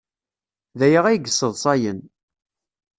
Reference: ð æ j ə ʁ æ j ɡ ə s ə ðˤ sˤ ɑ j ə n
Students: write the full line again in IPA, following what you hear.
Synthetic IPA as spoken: ð æ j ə ʁ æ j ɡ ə s ə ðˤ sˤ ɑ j ə n

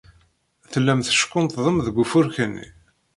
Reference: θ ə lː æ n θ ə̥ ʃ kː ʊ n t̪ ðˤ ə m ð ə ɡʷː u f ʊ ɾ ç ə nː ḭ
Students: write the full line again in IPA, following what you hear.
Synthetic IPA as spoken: θ ə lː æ m θ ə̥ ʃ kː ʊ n t̪ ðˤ ə m ð ə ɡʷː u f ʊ ɾ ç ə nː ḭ

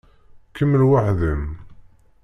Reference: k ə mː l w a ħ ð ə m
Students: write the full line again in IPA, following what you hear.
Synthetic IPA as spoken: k ə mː l w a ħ ð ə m

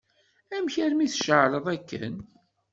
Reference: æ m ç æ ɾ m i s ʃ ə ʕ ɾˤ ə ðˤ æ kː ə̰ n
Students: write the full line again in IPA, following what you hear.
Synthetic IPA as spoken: æ m ç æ ɾ m i θ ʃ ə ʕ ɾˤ ə ðˤ æ kː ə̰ n

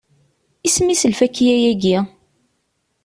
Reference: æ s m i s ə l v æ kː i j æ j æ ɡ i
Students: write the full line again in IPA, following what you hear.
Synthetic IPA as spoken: i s m i s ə l f æ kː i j æ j æ ɡ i

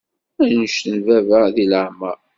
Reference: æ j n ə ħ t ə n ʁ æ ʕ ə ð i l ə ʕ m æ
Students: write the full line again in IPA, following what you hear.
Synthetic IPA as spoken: æ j n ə ʃ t ə n v æ v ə ð i l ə ʕ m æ

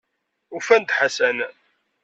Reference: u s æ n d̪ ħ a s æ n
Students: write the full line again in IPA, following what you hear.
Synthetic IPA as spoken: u f æ n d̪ ħ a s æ n

